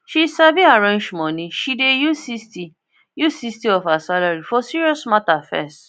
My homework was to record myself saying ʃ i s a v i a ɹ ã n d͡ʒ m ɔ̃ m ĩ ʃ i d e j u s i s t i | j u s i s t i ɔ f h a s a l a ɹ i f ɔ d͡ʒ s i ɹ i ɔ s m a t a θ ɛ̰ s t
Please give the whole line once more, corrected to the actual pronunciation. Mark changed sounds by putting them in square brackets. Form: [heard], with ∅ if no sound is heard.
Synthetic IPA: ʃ i s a v i a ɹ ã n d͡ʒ m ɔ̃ [n] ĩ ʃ i d e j u s i s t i | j u s i s t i ɔ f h a s a l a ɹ i f ɔ [∅] s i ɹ i ɔ s m a t a [f] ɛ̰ s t

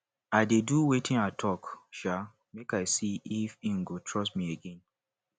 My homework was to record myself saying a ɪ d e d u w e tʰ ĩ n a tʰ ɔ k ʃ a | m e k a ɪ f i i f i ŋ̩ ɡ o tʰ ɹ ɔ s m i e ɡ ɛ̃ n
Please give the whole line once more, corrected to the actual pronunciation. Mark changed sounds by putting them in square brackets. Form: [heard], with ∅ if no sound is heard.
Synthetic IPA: a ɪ d e d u w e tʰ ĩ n a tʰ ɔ k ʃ a | m e k a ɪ [s] i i f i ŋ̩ ɡ o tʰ ɹ ɔ s m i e ɡ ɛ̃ n

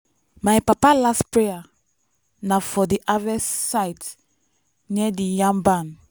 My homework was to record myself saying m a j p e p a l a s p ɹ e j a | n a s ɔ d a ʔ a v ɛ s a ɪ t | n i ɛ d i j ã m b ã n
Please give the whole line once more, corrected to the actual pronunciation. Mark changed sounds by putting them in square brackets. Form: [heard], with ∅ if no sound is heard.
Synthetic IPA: m a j p [a] p a l a s p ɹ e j a | n a [f] ɔ d [i] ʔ a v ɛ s a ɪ t | n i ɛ d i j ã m b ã n

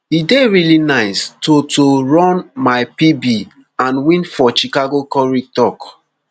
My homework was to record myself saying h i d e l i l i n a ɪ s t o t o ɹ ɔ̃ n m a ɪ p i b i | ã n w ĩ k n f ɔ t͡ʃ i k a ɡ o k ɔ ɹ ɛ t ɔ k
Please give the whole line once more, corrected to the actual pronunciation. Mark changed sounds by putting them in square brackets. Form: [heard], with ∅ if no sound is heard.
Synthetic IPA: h i d e [ɹ] i l i n a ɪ s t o t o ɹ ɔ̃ n m a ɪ p i b i | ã n w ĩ [∅] n f ɔ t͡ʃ i k a ɡ o k ɔ ɹ [i] t ɔ k

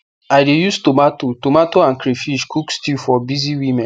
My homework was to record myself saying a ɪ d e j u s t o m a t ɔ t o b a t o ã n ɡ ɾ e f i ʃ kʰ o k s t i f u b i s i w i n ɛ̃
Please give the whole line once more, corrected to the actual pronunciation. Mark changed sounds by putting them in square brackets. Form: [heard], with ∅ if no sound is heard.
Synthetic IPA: a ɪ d e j u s t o m a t [o] t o [m] a t o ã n [k] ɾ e f i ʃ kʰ [u] k s t i f [ɔ] b i [z] i w i [m] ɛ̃

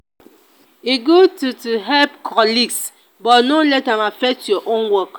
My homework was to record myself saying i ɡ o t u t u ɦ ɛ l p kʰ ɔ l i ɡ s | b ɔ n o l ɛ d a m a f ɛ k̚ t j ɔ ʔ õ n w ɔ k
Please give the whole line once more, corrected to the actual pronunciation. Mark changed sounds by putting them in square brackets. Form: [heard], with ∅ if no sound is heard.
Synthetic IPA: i ɡ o t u t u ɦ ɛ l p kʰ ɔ l i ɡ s | b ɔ n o l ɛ [t] a m a f ɛ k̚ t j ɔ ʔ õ n w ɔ k

